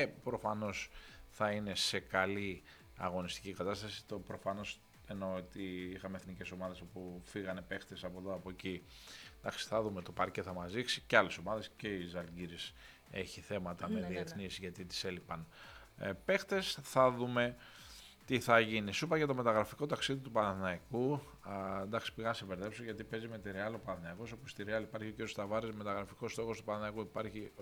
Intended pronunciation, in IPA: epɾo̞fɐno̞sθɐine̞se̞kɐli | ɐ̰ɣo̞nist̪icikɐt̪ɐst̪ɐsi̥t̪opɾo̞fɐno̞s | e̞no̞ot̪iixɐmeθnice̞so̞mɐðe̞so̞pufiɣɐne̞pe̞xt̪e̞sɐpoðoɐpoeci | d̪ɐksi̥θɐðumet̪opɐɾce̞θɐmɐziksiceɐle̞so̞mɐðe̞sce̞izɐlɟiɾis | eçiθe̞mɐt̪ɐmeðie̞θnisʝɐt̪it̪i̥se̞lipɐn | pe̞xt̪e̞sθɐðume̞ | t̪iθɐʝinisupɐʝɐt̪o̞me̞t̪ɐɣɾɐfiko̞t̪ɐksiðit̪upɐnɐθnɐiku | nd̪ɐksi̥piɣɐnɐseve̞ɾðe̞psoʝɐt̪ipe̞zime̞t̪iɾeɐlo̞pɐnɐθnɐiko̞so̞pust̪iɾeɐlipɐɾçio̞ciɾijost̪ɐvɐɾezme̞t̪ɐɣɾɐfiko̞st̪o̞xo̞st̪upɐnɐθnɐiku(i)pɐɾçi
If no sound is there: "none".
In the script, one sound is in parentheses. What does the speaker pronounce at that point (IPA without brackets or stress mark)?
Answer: i